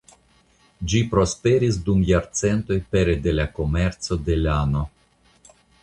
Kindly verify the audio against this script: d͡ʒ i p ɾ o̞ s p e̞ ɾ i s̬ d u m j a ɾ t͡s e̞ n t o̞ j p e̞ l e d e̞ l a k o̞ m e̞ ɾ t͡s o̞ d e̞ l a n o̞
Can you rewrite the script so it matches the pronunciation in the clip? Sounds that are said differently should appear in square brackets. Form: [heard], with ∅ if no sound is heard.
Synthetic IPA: d͡ʒ i p ɾ o̞ s p e̞ ɾ i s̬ d u m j a ɾ t͡s e̞ n t o̞ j p e̞ [ɾ] e d e̞ l a k o̞ m e̞ ɾ t͡s o̞ d e̞ l a n o̞